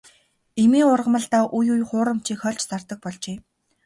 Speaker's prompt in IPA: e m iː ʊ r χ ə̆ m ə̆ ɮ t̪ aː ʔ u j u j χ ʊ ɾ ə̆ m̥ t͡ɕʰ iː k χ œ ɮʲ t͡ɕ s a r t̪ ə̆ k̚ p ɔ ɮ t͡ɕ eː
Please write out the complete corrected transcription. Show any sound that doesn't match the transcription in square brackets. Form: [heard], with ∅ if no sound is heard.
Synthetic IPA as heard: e m iː ʊ r [ʁ] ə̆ m ə̆ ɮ t̪ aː ʔ u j u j χ [ʊː] ɾ ə̆ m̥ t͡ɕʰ iː k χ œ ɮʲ t͡ɕ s a r t̪ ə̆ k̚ p ɔ ɮ t͡ɕ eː